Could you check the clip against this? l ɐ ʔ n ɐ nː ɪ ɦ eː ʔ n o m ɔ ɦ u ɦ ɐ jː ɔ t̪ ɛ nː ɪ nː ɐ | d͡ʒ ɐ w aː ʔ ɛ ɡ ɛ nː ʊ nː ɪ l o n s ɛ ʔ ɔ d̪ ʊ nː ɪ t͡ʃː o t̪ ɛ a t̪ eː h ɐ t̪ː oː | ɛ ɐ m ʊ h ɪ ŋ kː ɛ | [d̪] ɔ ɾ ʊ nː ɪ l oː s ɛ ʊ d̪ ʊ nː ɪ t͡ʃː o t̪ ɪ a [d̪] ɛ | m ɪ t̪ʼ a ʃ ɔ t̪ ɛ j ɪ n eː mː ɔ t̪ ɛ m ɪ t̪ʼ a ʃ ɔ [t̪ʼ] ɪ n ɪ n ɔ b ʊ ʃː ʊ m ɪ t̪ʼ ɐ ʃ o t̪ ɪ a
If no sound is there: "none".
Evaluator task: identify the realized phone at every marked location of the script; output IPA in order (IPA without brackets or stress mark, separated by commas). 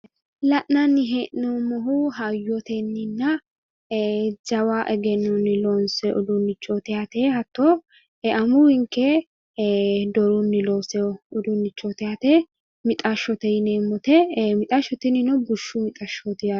d̪, t̪, t̪